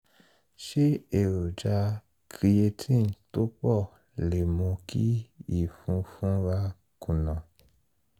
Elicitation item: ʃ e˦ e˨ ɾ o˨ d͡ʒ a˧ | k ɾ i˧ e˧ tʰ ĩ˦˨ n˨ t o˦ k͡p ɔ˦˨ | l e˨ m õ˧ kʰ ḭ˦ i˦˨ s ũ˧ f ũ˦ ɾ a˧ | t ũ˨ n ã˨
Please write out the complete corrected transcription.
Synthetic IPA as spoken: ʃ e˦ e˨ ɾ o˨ d͡ʒ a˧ | k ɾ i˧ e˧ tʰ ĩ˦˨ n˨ t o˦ k͡p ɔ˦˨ | l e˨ m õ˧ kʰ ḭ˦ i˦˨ f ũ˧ f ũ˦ ɾ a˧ | k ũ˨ n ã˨